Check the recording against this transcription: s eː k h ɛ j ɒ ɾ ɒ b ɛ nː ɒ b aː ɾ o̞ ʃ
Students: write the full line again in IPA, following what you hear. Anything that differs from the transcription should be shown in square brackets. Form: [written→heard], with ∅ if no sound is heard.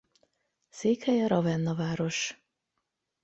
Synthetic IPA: s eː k h ɛ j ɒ ɾ ɒ [b→v] ɛ nː ɒ [b→v] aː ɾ o̞ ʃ

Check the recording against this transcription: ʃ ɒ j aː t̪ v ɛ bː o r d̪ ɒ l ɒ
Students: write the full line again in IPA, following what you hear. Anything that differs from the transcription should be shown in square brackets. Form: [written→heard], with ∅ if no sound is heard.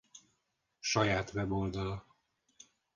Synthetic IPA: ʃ ɒ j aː t̪ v ɛ [bː→b] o [r→l] d̪ ɒ l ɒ

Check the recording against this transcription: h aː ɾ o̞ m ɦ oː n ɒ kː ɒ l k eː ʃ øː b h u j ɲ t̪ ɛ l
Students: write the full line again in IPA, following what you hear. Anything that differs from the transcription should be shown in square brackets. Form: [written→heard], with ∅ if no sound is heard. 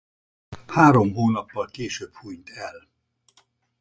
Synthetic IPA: h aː ɾ o̞ m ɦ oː n ɒ [kː→pː] ɒ l k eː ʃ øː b h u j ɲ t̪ ɛ l

